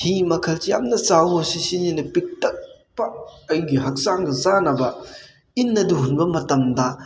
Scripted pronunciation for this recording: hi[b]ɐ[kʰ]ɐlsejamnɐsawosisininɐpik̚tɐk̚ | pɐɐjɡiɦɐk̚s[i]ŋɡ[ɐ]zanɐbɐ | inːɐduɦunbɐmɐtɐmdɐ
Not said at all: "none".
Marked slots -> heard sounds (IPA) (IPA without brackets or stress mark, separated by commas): m, kʰ, a, ɐ